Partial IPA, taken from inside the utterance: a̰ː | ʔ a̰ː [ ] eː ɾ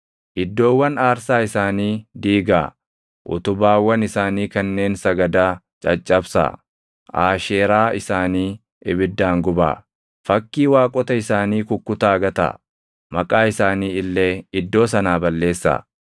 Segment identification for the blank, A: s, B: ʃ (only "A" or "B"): B